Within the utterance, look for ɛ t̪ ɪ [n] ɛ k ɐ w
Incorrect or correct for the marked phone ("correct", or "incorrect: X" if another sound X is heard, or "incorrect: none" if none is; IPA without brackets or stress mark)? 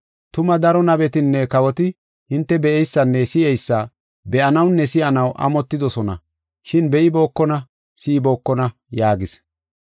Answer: incorrect: nː